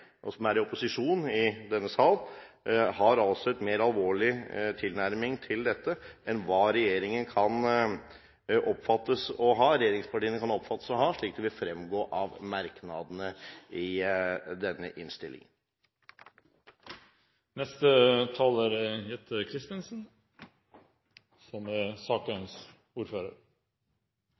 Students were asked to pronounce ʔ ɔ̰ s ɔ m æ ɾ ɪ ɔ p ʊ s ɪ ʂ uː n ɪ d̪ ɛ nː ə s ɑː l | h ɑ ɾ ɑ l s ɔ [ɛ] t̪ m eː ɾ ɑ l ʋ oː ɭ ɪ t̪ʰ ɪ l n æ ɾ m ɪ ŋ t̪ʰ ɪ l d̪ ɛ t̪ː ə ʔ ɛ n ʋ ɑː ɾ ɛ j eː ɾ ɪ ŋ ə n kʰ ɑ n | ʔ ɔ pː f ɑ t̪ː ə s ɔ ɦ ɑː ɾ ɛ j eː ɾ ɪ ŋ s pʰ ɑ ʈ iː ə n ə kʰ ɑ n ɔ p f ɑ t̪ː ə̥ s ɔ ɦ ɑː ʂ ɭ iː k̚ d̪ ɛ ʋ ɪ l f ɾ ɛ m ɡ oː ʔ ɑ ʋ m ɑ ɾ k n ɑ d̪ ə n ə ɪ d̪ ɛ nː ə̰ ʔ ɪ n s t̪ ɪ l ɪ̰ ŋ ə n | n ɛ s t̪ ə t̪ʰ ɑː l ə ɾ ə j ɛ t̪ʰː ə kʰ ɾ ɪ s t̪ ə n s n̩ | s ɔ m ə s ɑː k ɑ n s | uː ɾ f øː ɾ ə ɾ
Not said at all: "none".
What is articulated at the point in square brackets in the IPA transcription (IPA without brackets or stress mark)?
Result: ɛ